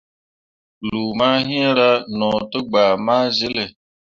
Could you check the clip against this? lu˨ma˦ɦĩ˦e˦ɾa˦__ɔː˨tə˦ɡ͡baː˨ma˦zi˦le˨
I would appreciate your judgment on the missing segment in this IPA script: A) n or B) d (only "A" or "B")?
A